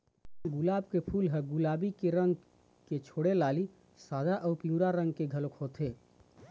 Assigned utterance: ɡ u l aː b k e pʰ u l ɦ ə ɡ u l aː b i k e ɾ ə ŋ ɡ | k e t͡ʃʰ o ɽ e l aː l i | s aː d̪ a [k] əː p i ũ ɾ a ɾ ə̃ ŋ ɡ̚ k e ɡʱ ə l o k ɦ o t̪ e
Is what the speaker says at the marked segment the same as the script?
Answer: no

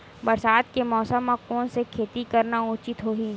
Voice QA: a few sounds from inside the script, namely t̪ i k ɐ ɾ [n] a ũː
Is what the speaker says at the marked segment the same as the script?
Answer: yes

